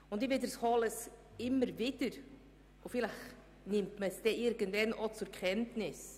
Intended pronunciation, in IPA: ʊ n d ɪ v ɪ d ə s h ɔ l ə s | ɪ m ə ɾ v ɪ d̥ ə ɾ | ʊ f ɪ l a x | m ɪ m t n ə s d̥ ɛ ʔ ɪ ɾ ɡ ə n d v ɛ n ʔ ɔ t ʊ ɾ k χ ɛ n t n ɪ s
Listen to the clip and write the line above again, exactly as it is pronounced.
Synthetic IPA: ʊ n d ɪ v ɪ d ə s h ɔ l ə s | ɪ m ə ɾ v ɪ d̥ ə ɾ | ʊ f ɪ l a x | n ɪ m t m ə s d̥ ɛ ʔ ɪ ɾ ɡ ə n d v ɛ n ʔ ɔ t͡s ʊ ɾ k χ ɛ n t n ɪ s

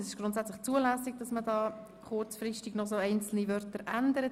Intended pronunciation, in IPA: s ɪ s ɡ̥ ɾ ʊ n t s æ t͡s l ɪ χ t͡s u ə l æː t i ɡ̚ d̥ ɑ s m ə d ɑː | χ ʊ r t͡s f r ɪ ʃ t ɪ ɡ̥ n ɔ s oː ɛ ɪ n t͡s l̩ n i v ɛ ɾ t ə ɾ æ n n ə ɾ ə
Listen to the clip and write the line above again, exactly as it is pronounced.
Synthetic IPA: s ɪ ʃ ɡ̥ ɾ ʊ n t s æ t͡s l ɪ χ t͡s u ə l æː s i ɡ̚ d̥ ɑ s m ə d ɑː | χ ʊ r t͡s f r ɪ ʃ t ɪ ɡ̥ n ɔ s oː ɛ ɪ n t͡s l̩ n i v œ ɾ t ə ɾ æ n d ə ɾ ə

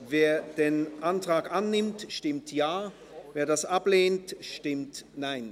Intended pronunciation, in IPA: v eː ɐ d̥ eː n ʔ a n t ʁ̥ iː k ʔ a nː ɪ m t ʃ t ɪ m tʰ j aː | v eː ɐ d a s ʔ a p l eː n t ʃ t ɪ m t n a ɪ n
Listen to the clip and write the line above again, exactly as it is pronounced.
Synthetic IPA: v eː ɐ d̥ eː n ʔ a n t ʁ̥ aː k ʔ a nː ɪ m t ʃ t ɪ m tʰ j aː | v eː ɐ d a s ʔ a p l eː n t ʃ t ɪ m t n a ɪ n

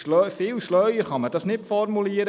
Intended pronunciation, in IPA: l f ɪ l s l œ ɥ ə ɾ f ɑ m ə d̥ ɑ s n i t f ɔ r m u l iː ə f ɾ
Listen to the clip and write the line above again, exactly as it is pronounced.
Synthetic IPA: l f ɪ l ʃ l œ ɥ ə ɾ χ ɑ m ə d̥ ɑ s n ɪ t f ɔ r m u l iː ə ɾ

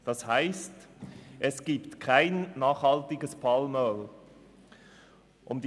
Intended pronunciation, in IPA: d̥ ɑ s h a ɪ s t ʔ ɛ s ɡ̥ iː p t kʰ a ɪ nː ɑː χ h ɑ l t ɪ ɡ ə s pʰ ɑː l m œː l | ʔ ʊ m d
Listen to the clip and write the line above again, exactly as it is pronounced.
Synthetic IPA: d̥ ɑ s h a ɪ s t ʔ ɛ s ɡ̥ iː p t kʰ a ɪ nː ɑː χ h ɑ l t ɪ ɡ ə s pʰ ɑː l m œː l | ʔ ʊ m d

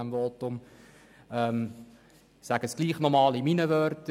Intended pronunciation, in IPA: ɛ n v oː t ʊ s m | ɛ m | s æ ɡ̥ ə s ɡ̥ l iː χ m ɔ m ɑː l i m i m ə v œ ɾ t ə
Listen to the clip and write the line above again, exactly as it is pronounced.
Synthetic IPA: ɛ m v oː t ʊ m | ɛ m | s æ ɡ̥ ə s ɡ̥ l iː χ n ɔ m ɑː l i m i n ə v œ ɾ t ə

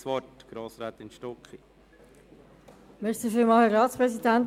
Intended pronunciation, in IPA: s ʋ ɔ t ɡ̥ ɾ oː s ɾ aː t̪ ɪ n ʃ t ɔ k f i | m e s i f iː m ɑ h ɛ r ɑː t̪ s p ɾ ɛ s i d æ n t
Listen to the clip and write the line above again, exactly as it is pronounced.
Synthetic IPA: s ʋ ɔ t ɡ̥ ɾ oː s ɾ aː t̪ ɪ n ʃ t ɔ k χ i | m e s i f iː m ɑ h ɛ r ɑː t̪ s p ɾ ɛ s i d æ n t

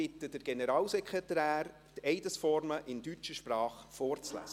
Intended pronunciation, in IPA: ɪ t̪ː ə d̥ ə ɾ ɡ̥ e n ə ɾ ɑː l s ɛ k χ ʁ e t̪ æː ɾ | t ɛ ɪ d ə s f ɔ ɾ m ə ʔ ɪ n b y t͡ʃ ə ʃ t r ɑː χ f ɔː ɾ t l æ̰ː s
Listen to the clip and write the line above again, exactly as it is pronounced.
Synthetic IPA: ɪ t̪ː ə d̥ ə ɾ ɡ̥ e n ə ɾ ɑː l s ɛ k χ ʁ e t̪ æː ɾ | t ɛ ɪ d ə s f ɔ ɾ m ə ʔ ɪ n d y t͡ʃ ə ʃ p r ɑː χ f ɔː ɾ t͡s l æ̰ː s

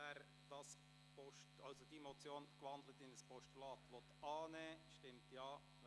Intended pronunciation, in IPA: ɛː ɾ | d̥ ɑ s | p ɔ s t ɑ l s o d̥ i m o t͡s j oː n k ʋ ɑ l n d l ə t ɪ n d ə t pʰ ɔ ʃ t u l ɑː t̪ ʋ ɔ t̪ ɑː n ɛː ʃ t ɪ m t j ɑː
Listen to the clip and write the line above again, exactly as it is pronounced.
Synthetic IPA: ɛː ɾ | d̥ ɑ s | p ɔ ʃ t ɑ l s o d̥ i m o t͡s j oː n k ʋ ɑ n d l ə t ɪ n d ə s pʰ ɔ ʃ t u l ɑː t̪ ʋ ɔ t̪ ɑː n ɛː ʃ t ɪ m t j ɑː

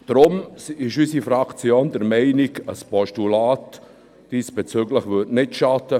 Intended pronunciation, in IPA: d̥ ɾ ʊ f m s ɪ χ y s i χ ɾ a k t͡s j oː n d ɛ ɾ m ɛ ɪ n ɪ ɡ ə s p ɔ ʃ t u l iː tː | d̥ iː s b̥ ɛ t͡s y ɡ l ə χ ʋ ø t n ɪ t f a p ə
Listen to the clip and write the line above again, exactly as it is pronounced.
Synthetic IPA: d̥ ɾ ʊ m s ɪ ʃ y s i f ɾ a k t͡s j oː n d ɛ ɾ m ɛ ɪ n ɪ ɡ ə s p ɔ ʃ t u l aː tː | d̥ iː s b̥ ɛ t͡s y ɡ l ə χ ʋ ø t n ɪ t ʃ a t ə

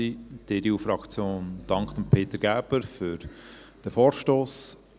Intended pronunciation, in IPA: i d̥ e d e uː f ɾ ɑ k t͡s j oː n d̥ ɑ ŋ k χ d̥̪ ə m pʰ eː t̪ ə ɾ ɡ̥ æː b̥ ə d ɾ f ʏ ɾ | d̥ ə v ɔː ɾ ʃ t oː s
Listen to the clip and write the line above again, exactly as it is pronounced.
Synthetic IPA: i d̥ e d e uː f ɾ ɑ k t͡s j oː n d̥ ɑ ŋ k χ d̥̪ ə m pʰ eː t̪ ə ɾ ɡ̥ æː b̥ ə ɾ f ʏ ɾ | d̥ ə f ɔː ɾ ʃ t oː s

